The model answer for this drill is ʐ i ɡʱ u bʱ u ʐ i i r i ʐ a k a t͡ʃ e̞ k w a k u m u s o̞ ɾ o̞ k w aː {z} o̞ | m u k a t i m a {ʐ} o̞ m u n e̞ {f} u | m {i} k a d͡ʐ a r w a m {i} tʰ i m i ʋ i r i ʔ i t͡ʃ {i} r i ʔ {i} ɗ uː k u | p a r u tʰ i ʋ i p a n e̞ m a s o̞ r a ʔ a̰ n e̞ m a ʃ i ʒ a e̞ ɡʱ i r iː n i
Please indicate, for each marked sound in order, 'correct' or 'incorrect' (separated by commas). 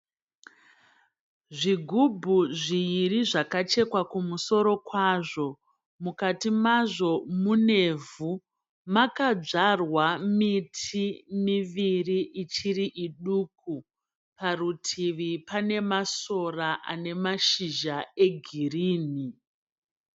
incorrect, correct, incorrect, incorrect, correct, correct, correct